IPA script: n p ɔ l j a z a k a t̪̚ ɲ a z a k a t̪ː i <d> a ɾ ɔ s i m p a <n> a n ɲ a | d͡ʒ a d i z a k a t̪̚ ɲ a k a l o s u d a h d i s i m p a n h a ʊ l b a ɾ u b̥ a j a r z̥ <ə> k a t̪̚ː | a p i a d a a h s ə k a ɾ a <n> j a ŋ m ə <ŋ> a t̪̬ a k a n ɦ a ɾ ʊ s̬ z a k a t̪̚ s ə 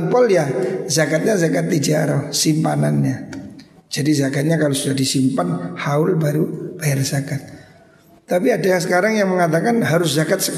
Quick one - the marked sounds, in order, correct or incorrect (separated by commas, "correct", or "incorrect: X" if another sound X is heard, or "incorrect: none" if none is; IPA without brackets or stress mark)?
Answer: incorrect: d͡ʒ, correct, incorrect: a, incorrect: ŋ, correct